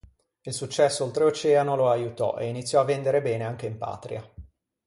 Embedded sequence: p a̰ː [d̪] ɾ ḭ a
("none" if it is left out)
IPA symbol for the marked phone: t̪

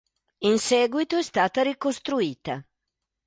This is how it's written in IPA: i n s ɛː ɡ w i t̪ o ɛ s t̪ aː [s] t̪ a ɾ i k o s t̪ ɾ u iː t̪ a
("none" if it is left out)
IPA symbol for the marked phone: none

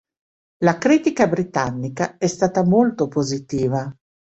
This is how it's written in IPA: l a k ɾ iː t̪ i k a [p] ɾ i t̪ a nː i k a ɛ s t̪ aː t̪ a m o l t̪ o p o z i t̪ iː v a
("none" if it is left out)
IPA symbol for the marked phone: b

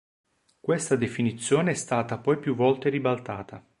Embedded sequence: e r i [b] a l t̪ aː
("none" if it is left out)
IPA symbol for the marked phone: b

